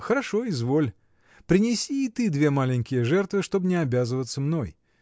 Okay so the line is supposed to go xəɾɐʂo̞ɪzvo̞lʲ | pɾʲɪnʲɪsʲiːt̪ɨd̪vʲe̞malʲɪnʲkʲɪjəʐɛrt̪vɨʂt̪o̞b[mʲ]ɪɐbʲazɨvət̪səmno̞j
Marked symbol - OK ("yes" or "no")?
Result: no